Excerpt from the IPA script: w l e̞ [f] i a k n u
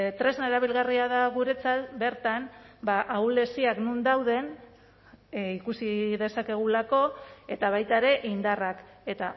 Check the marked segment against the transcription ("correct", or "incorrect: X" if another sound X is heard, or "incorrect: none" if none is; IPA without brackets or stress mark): incorrect: s